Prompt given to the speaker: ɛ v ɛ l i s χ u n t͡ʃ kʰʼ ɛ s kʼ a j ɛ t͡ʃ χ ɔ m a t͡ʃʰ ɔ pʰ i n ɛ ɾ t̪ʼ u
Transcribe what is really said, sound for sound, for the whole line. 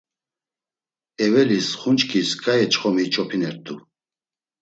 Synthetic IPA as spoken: ɛ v ɛ l i s χ u n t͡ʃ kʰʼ i s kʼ a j ɛ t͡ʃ χ ɔ m i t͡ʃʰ ɔ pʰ i n ɛ ɾ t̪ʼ u